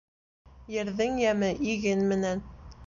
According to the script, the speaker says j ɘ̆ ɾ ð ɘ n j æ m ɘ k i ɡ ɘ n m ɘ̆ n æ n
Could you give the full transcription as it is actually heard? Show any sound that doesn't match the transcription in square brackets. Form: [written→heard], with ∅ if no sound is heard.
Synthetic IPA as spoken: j ɘ̆ ɾ ð ɘ [n→ŋ] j æ m ɘ [k→ʔ] i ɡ ɘ n m ɘ̆ n æ n